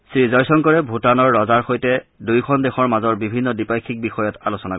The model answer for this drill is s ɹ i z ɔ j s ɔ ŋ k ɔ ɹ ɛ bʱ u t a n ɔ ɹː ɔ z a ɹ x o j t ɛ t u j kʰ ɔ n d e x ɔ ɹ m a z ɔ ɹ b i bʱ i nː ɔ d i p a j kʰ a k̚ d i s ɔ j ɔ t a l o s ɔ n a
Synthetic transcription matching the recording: s ɹ i z ɔ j s ɔ ŋ k ɔ ɹ ɛ bʱ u t a n ɔ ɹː ɔ z a ɹ x o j t ɛ d u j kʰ ɔ n d e x ɔ ɹ m a z ɔ ɹ b i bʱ i nː ɔ d i p a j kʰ i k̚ b i x ɔ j ɔ t a l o s ɔ n a